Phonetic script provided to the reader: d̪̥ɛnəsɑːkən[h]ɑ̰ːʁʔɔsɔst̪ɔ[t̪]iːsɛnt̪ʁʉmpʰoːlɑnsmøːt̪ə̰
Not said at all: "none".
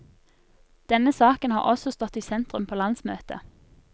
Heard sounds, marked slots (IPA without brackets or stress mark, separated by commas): h, t̪